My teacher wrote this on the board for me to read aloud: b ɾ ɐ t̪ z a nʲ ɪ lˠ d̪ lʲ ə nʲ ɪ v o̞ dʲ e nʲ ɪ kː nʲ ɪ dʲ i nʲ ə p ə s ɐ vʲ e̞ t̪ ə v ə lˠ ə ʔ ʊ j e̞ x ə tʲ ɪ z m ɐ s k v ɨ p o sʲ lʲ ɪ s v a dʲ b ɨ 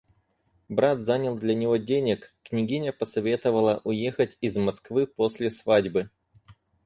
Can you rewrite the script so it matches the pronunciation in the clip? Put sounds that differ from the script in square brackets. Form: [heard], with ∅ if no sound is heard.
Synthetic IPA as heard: b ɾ [a] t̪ z a nʲ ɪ lˠ d̪ lʲ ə nʲ ɪ v o̞ dʲ e nʲ ɪ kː nʲ ɪ [ɡʲ] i nʲ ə p ə s ɐ vʲ e̞ t̪ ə v ə lˠ ə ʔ ʊ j e̞ x ə tʲ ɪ z m ɐ s k v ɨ p o sʲ lʲ ɪ s v a dʲ b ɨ